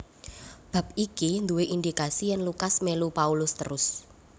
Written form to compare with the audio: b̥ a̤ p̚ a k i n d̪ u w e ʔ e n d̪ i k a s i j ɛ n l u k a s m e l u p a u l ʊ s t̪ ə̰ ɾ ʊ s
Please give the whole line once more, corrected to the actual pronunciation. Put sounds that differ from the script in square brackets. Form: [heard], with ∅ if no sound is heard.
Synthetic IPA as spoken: b̥ a̤ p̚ [i] k i n d̪ u w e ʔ [i] n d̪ i k a s i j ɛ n l u k a s m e l u p a u l ʊ s t̪ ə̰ ɾ ʊ s